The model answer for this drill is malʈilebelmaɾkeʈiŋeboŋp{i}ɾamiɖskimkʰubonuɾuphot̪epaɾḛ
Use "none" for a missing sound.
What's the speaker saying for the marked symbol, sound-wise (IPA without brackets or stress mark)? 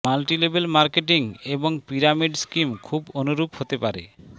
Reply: i